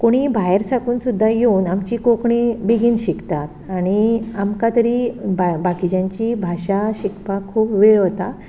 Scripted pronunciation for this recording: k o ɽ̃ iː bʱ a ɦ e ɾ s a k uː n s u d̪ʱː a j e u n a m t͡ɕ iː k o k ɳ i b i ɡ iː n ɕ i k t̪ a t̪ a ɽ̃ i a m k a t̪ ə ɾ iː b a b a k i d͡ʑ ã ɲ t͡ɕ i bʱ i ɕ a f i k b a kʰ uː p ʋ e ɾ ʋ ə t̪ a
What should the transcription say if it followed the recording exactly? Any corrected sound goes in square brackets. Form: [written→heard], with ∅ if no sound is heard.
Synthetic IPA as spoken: k o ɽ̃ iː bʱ a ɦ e ɾ s a k uː n s u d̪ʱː a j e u n a m t͡ɕ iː k o k ɳ i b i ɡ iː n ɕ i k t̪ a t̪ a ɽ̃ i a m k a t̪ ə ɾ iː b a b a k i d͡ʑ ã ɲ t͡ɕ i bʱ [i→a] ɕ a [f→ɕ] i k [b→p] a kʰ uː p ʋ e [ɾ→ɭ] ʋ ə t̪ a